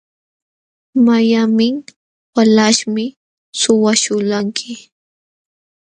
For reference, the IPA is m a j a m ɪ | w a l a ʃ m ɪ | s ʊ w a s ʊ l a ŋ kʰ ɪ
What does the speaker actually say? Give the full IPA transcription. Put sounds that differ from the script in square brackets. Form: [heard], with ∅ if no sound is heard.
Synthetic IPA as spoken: m a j a m ɪ | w a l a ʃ m ɪ | s ʊ w a [ʃ] ʊ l a ŋ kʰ ɪ